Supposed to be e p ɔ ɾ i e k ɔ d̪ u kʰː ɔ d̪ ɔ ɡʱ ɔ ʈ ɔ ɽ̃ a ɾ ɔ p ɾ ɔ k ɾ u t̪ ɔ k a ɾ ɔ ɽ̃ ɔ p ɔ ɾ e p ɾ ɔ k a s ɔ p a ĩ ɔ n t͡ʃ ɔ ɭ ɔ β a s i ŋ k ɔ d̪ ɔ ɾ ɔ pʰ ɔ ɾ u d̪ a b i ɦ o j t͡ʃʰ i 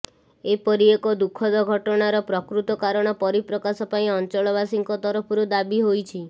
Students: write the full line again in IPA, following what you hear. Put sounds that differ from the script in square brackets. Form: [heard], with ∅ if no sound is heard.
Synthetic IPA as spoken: e p ɔ ɾ i e k ɔ d̪ u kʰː ɔ d̪ ɔ ɡʱ ɔ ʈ ɔ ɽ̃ a ɾ ɔ p ɾ ɔ k ɾ u t̪ ɔ k a ɾ ɔ ɽ̃ ɔ p ɔ ɾ [i] p ɾ ɔ k a s ɔ p a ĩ ɔ n t͡ʃ ɔ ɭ ɔ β a s i ŋ k ɔ [t̪] ɔ ɾ ɔ pʰ ɔ ɾ u d̪ a b i ɦ o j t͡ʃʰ i